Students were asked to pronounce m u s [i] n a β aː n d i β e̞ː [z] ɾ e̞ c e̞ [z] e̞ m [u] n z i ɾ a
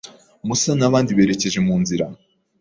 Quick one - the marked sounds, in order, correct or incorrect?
incorrect, incorrect, incorrect, incorrect

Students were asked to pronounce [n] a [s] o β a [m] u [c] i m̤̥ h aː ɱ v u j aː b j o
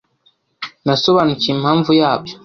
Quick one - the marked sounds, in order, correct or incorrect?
correct, correct, incorrect, correct

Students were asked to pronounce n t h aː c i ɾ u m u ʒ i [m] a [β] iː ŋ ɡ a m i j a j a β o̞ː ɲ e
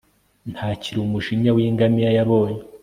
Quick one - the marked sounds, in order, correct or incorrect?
incorrect, incorrect

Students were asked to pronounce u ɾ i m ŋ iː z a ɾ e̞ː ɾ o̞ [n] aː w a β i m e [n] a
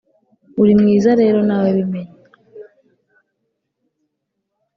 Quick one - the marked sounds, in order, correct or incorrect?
correct, incorrect

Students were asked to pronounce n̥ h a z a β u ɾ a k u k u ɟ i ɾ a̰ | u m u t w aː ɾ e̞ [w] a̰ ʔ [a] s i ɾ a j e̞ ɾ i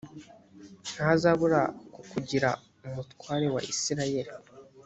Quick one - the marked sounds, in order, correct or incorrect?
correct, incorrect

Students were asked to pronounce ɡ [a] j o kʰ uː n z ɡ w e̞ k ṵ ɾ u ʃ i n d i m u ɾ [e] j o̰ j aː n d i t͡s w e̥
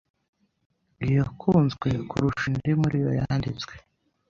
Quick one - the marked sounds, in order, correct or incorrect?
incorrect, incorrect

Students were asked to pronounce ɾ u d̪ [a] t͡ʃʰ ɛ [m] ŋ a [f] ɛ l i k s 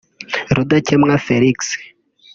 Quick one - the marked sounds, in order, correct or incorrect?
correct, correct, correct

